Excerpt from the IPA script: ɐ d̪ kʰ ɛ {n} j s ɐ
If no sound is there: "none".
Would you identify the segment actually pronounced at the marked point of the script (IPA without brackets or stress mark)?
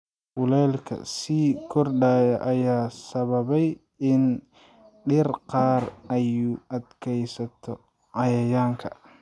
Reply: none